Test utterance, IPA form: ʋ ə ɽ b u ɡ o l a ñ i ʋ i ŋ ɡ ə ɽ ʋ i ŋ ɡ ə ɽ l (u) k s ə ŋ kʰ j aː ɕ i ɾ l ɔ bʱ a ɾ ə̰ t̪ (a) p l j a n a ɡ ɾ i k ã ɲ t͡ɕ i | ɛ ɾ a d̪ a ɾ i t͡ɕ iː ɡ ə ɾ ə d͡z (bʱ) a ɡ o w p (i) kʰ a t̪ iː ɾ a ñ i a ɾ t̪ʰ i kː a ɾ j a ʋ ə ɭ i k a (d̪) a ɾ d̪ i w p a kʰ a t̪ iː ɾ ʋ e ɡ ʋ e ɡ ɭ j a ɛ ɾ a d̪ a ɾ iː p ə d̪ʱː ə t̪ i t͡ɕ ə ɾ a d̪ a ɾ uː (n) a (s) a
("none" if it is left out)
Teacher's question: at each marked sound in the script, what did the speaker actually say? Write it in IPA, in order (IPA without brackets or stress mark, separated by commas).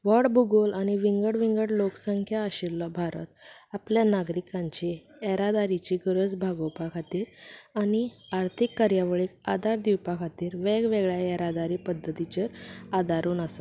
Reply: o, a, bʱ, a, d̪, n, s